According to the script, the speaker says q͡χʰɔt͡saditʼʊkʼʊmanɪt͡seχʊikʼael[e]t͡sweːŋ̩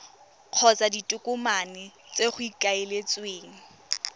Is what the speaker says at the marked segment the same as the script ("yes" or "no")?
yes